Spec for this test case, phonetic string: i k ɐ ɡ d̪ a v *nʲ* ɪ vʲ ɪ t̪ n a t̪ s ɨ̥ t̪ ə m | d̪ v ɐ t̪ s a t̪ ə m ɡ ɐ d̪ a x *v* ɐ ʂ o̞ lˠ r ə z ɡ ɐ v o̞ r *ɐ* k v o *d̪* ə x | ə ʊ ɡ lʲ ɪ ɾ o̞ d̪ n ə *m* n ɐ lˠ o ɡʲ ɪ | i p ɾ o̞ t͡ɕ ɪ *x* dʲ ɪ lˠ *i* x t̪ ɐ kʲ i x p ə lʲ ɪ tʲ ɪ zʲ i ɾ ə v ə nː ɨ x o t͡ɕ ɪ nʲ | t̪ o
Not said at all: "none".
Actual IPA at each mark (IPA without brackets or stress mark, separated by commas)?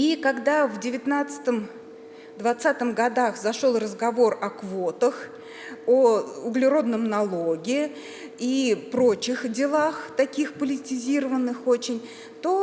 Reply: dʲ, z, ɐ, t̪, m, x, a